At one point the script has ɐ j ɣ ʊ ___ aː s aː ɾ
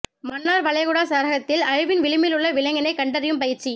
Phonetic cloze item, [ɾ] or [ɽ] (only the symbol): ɽ